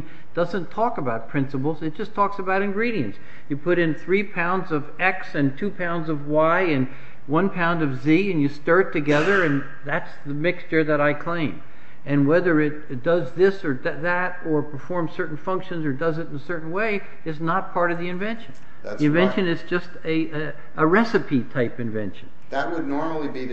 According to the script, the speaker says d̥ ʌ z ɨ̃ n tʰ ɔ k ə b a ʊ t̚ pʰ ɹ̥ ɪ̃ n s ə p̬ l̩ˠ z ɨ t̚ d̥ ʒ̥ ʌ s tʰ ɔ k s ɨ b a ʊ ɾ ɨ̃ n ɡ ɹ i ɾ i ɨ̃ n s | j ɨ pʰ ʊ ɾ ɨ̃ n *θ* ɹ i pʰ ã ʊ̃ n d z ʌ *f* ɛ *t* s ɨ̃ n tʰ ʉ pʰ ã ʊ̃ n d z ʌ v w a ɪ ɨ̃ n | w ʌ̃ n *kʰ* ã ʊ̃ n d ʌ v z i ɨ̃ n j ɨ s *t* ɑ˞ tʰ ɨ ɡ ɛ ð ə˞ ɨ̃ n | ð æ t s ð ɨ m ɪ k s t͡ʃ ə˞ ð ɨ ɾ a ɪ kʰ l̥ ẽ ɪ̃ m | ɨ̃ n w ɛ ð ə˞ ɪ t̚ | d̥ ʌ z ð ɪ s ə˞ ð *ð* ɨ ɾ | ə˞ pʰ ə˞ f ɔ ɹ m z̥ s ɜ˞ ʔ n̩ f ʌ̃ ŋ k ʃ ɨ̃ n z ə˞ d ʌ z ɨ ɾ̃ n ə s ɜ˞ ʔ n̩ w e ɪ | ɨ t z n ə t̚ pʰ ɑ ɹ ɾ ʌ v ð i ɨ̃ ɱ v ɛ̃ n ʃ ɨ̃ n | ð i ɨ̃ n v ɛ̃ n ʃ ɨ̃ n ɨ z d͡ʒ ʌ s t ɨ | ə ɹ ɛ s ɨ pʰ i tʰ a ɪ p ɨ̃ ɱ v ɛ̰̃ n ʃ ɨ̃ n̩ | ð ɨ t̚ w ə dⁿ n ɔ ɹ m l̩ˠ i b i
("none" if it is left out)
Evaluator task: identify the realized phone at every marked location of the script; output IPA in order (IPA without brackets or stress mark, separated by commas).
θ, v, k, pʰ, t, ð